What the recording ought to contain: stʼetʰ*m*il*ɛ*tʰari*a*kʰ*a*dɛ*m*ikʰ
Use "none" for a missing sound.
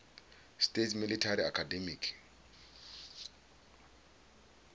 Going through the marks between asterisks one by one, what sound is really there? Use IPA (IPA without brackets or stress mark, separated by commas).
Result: m, i, a, a, m